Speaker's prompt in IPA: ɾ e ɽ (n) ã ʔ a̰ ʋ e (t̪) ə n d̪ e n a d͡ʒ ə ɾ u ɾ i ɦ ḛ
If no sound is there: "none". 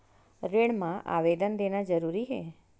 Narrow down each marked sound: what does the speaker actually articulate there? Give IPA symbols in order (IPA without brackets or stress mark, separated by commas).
m, d̪